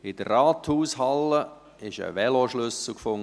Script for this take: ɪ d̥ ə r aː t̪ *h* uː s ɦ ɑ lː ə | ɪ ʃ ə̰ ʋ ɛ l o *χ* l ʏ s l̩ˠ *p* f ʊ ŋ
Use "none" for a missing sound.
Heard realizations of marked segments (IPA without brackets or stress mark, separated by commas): h, ʃ, k